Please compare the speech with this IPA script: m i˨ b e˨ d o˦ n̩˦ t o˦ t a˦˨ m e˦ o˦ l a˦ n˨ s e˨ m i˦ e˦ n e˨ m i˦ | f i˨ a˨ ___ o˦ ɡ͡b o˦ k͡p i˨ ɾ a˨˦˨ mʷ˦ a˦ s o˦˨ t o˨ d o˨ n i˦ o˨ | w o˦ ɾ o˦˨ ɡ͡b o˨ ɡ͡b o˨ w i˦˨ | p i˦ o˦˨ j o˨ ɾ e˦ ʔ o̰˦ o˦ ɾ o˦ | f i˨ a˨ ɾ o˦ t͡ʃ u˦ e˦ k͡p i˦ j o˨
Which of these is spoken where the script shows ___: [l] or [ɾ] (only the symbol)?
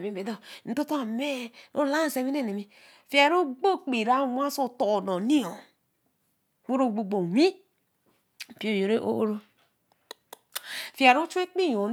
ɾ